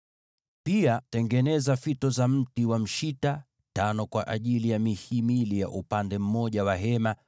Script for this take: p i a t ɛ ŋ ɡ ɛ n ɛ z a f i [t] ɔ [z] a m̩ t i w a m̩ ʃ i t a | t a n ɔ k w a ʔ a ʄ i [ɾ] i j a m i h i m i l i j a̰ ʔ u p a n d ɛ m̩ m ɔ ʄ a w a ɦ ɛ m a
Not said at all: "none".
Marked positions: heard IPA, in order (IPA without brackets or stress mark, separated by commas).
t, z, l